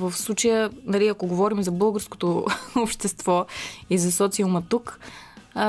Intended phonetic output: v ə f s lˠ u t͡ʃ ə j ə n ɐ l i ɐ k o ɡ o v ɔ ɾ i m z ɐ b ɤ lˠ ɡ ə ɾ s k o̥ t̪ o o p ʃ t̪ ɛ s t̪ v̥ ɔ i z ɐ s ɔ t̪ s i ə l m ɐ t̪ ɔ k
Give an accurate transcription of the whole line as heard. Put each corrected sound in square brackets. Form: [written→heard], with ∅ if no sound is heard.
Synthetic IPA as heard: v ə f s lˠ u t͡ʃ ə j ə n ɐ l i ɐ k o ɡ o v ɔ ɾ i m z ɐ b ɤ lˠ ɡ ə ɾ s k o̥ t̪ o o p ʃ t̪ ɛ s t̪ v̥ ɔ i z ɐ s ɔ t̪ s i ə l m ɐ t̪ [ɔ→u] k